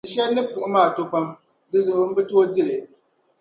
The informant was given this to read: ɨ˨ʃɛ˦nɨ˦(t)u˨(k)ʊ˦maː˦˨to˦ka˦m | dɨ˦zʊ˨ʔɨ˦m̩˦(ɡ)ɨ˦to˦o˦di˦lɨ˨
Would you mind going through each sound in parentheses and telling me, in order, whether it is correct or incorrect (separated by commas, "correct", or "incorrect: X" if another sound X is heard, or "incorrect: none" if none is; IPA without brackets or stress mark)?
incorrect: p, incorrect: ʔ, incorrect: b